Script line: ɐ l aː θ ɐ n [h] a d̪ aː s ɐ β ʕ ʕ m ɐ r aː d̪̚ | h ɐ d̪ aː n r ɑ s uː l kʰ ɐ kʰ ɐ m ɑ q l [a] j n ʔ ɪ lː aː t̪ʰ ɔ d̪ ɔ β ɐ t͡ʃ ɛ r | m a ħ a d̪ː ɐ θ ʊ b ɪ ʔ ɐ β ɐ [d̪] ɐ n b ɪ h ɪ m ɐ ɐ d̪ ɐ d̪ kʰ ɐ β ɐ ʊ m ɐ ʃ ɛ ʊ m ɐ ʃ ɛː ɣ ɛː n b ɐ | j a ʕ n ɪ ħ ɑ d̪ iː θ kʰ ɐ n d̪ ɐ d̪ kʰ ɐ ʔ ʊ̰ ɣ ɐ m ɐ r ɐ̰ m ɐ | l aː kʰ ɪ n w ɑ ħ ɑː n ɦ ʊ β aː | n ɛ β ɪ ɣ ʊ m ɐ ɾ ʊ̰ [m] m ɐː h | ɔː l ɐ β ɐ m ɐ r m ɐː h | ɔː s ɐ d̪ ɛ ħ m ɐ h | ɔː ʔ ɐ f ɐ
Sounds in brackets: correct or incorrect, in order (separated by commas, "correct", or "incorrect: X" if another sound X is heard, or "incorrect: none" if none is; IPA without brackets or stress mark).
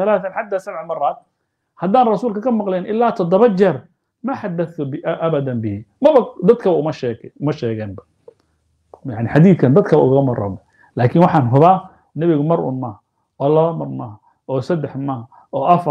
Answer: incorrect: ħ, incorrect: ɛ, correct, incorrect: n